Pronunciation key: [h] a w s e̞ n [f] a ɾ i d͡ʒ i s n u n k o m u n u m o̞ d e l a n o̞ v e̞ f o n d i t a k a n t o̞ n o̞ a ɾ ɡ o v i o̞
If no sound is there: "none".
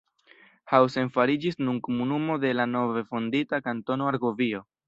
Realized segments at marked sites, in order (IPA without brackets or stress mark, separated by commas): h, f